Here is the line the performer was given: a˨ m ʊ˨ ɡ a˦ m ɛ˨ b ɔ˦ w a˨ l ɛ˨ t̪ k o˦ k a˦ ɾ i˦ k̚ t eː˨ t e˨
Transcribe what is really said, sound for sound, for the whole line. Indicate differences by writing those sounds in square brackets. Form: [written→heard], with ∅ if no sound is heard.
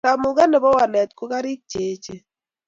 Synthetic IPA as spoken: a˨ m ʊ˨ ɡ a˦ [m→n] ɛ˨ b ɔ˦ w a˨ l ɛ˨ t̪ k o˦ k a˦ ɾ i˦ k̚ [t→t͡ʃ] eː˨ [t→t͡ʃ] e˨